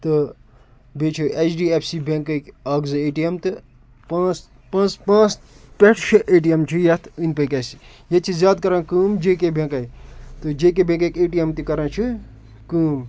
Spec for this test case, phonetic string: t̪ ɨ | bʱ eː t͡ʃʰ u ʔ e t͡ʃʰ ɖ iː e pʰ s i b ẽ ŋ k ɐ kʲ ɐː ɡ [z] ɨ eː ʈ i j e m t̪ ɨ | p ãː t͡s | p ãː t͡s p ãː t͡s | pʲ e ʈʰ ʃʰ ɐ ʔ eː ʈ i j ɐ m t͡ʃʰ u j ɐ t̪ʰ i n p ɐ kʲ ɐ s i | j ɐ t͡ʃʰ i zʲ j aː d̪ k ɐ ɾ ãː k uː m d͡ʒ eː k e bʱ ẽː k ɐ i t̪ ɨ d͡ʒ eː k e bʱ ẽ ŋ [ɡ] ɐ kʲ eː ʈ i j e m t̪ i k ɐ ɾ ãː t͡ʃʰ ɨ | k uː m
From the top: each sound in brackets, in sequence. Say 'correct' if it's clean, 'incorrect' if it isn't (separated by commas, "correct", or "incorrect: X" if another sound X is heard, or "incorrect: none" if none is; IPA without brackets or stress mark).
correct, incorrect: k